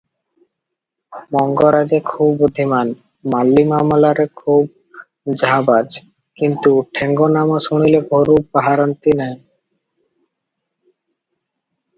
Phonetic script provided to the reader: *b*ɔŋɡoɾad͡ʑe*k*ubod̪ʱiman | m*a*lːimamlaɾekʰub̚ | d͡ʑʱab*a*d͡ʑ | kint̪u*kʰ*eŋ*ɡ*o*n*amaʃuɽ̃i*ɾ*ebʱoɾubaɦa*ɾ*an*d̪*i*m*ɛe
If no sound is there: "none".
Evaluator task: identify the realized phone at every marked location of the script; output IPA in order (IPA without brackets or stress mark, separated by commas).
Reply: m, kʰ, a, a, ʈʰ, ɡ, n, l, ɾ, t̪, n